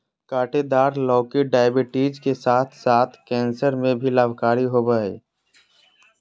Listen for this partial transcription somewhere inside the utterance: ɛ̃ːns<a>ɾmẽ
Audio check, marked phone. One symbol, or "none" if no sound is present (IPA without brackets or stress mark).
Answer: ə